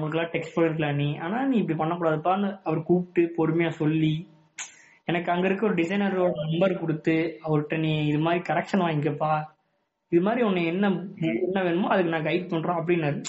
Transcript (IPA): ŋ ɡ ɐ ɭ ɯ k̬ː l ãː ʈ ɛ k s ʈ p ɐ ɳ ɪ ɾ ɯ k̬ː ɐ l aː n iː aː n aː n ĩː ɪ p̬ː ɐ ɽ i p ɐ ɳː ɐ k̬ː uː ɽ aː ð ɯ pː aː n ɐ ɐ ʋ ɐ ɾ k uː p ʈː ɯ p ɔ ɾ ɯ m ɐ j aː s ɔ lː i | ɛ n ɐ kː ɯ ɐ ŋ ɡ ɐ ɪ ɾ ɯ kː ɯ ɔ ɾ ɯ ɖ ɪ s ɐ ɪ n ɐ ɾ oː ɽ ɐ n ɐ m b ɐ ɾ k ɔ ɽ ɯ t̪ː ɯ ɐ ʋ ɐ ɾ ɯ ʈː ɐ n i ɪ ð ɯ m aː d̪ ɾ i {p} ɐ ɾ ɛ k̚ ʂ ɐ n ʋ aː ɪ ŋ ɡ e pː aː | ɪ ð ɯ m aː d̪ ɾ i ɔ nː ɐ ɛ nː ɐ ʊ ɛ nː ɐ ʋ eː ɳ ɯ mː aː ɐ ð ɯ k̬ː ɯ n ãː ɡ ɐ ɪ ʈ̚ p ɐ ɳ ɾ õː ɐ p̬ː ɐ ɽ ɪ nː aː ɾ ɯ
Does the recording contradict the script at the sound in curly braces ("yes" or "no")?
yes